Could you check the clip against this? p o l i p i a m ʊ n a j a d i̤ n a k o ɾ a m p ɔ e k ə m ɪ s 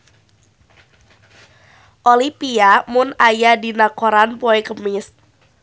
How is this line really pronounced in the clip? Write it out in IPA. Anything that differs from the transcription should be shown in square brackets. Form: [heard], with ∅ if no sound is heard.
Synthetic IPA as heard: [ʔ] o l i p i a m ʊ n a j a d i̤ n a k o ɾ a [n] p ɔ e k ə m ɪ s